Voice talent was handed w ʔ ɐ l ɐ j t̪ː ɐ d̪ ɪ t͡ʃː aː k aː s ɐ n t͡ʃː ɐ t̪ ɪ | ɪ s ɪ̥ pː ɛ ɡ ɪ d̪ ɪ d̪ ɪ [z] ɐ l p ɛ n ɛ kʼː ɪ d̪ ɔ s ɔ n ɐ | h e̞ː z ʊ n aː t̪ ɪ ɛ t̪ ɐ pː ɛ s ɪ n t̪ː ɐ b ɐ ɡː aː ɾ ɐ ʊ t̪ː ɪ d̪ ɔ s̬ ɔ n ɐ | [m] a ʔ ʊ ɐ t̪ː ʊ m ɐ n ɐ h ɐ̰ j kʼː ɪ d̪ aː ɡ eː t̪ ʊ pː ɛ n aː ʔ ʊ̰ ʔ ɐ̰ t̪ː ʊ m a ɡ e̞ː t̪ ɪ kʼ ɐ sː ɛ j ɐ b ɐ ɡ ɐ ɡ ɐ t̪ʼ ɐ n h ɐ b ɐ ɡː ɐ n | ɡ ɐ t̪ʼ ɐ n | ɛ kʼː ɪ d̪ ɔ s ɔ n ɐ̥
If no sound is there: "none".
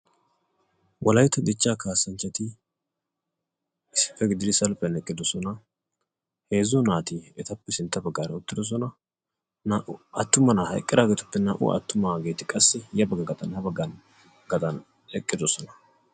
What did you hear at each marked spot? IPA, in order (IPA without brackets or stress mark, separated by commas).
s, n